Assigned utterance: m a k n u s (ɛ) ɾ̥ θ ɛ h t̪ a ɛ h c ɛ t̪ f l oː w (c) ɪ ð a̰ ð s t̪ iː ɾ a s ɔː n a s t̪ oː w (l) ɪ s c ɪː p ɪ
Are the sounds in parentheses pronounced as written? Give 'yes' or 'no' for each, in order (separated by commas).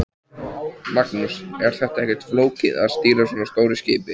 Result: yes, yes, no